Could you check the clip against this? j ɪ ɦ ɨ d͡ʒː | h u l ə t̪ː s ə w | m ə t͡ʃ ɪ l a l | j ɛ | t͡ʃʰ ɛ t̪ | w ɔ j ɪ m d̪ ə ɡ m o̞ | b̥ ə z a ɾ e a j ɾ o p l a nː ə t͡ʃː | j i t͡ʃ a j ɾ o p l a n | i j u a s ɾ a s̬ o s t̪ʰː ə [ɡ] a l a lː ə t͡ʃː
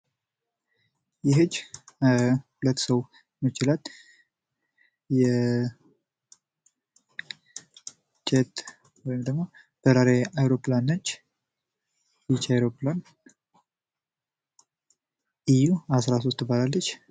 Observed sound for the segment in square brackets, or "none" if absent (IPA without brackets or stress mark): b